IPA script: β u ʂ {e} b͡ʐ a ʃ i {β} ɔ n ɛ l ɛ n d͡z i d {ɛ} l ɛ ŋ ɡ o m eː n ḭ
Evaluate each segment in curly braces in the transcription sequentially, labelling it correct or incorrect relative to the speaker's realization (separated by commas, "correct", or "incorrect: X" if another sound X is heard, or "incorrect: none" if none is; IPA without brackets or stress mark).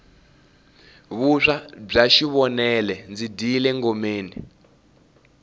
incorrect: a, correct, incorrect: i